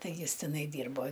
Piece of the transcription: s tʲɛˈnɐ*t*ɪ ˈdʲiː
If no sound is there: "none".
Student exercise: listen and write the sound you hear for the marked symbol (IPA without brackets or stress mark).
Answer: none